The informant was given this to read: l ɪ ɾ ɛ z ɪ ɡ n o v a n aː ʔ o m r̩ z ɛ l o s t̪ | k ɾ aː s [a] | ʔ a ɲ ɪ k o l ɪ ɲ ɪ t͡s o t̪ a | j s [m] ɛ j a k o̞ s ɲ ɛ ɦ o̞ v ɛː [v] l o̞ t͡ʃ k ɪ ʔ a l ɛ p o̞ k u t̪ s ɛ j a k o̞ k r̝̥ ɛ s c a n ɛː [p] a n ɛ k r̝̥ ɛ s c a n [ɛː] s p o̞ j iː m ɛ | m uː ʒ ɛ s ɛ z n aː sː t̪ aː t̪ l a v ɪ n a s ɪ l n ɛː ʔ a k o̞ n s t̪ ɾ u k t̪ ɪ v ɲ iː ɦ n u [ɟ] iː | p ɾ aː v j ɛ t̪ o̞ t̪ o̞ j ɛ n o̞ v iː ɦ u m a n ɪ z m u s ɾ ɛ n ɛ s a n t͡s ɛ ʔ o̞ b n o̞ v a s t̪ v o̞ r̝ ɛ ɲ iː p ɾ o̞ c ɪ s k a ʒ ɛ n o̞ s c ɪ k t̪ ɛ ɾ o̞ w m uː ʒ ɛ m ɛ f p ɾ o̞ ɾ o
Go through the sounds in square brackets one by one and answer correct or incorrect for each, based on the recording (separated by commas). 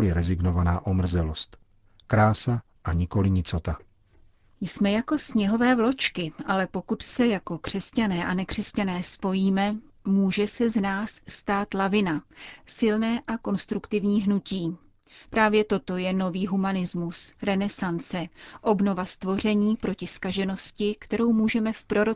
correct, correct, correct, incorrect, correct, incorrect